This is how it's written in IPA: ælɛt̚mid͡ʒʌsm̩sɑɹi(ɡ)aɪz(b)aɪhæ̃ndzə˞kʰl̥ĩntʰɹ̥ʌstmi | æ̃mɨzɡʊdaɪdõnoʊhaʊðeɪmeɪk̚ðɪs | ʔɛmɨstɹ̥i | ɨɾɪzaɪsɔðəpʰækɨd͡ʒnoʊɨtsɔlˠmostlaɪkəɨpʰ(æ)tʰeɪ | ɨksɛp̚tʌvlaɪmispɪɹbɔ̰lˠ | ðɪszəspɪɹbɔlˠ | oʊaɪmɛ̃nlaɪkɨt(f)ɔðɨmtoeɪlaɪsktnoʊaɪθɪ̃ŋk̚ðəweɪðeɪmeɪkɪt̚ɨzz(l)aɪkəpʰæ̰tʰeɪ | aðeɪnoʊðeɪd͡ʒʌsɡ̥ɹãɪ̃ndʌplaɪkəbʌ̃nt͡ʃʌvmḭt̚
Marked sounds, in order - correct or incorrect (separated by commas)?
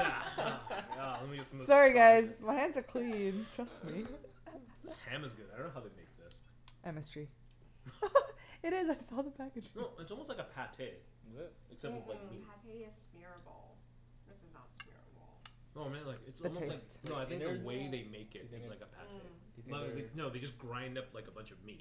correct, incorrect, correct, incorrect, correct